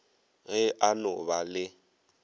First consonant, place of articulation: velar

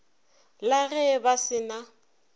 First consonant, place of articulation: alveolar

